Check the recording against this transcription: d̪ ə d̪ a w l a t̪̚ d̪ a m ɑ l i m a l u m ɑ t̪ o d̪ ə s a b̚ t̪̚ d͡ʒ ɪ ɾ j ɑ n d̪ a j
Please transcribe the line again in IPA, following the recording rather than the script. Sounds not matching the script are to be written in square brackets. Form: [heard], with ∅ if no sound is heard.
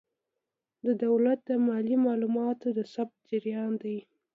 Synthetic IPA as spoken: d̪ ə d̪ a w l a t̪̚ d̪ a m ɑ l i m [ɑ] l u m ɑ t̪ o d̪ ə s a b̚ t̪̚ d͡ʒ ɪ ɾ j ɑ n d̪ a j